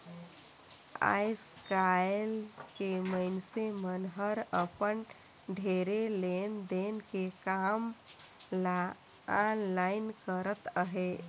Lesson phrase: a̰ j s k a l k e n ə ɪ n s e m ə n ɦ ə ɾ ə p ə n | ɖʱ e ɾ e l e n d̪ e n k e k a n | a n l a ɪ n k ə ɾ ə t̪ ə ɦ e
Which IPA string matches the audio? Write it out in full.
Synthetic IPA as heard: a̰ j s k a l k e m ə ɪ n s e m ə n ɦ ə ɾ ə p ə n | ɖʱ e ɾ e l e n d̪ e n k e k a m | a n l a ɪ n k ə ɾ ə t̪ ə ɦ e